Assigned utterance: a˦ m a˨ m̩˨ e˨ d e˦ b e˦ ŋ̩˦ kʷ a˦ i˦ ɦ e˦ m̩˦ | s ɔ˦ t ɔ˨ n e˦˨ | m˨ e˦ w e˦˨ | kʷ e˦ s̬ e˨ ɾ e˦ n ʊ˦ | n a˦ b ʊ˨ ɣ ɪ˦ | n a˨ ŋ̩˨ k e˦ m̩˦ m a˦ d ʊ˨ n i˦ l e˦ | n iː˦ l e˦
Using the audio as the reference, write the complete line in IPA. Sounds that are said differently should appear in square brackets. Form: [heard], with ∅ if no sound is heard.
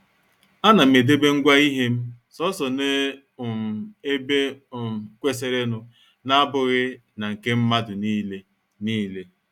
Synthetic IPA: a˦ [n] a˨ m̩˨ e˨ d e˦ b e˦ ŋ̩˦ [ɡʷ] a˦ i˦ ɦ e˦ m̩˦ | s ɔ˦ [s] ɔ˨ n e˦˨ | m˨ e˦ [b] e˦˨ | kʷ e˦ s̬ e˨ ɾ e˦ n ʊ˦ | n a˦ b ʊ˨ ɣ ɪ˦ | n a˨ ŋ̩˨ k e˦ m̩˦ m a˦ d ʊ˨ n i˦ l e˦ | n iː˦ l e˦

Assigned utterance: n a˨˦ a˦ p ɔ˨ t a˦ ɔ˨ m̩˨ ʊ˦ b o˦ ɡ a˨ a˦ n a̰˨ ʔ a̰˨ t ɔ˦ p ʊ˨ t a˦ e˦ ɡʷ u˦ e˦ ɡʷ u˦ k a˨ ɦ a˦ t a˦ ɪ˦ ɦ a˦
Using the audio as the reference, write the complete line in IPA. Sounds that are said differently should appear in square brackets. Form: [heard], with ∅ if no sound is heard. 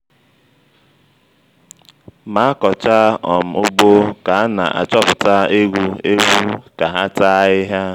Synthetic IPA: [m] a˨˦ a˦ [k] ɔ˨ [t͡ʃ] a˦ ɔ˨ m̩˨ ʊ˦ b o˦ [k] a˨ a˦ n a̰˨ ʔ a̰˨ [t͡ʃ] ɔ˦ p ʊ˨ t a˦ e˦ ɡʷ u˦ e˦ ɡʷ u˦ k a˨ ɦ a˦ t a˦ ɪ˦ ɦ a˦

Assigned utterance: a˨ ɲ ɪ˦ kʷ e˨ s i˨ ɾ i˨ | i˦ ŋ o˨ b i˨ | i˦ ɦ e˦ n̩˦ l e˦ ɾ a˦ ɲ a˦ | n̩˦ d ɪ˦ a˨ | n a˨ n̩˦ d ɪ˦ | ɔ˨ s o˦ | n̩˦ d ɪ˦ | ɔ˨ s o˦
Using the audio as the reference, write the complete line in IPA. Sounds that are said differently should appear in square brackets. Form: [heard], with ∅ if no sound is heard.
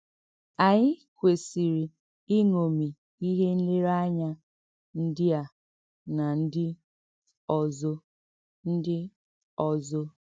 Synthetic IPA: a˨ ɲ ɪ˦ kʷ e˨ s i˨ ɾ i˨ | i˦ ŋ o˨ [m] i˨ | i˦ ɦ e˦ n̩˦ l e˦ ɾ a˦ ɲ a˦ | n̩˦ d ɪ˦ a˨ | n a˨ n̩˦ d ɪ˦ | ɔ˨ [z] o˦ | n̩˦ d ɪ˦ | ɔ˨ [z] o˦

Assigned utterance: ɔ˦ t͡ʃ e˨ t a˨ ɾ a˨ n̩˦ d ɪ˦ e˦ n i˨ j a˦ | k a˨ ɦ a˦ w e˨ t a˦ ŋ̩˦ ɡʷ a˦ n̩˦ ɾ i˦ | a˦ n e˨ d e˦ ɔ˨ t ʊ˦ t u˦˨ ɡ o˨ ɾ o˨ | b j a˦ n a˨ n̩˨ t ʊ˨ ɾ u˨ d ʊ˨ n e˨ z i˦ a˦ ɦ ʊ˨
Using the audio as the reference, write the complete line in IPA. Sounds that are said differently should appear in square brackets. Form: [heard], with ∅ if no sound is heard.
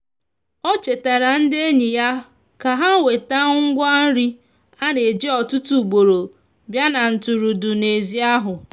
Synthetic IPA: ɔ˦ t͡ʃ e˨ t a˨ ɾ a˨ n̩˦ d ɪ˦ e˦ [ɲ] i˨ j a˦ | k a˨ ɦ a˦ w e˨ t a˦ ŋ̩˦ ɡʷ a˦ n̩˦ ɾ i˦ | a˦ n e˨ [d͡ʒ] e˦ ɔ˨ t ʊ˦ t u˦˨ [ɡ͡b] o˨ ɾ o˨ | b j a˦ n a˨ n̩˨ t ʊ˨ ɾ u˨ d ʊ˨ n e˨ z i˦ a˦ ɦ ʊ˨

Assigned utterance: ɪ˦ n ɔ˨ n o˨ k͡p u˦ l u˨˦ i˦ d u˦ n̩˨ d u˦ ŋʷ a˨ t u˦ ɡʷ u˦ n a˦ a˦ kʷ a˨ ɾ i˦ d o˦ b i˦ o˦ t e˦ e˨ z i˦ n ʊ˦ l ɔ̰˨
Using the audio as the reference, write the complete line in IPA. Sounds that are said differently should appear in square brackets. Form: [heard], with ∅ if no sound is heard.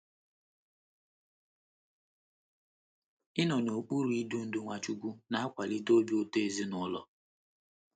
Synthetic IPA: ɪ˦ n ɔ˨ n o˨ k͡p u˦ [ɾ] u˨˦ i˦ d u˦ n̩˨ d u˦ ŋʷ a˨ [t͡ʃ] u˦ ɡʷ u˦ n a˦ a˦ kʷ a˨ [l] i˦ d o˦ b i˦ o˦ t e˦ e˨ z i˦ n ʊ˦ l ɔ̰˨

